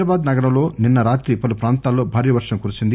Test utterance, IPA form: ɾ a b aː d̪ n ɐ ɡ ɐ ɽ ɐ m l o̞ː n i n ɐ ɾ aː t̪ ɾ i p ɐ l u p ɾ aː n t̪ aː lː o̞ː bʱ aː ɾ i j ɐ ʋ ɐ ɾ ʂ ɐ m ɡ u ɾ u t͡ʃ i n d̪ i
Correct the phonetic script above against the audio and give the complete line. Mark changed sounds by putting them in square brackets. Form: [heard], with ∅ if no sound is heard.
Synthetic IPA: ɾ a b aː d̪ n ɐ ɡ ɐ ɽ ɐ m l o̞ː n i [nː] ɐ ɾ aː t̪ ɾ i p ɐ l u p ɾ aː n t̪ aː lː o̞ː bʱ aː ɾ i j ɐ ʋ ɐ ɾ ʂ ɐ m [k] u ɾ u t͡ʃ i n d̪ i